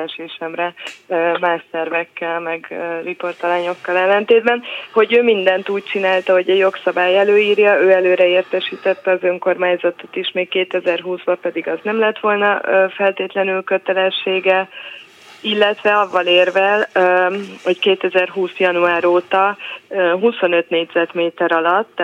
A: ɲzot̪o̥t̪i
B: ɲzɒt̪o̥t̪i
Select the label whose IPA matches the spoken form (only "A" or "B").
B